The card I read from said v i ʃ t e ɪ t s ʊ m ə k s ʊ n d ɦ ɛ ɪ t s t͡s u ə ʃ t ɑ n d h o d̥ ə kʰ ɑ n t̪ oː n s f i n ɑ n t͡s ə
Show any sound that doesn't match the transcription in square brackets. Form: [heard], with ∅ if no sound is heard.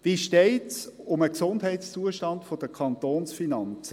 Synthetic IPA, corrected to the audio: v i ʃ t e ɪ t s ʊ m ə k s ʊ n d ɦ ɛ ɪ t s t͡s u ə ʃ t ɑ n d [f] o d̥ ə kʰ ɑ n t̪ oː n s f i n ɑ n t͡s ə